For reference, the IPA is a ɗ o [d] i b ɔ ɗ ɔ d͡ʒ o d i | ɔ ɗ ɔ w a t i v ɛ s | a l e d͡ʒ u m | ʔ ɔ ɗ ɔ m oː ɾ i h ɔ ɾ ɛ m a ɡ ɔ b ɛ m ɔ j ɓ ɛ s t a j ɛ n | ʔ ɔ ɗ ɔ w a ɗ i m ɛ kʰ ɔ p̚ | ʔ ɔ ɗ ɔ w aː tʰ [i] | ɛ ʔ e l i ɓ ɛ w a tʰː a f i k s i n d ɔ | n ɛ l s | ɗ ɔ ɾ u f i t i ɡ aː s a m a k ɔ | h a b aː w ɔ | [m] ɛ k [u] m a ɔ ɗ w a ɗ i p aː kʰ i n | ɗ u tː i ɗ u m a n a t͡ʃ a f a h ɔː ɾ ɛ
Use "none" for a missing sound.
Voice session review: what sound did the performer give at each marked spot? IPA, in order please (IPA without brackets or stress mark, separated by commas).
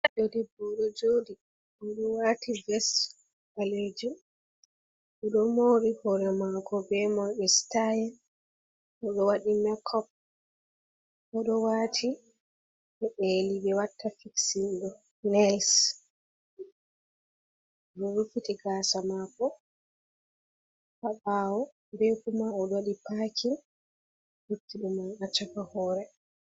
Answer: d, i, b, u